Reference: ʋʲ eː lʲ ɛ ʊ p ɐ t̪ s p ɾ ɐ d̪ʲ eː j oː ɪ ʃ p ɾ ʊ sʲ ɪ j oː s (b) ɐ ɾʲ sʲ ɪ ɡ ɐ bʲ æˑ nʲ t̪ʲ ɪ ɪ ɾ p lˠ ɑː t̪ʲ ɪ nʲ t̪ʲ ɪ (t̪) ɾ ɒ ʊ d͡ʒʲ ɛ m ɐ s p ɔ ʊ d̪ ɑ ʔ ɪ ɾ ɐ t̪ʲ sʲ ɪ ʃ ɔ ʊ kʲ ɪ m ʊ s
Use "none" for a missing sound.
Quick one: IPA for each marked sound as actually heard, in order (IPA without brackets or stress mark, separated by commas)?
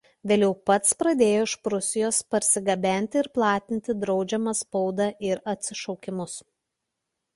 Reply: p, d̪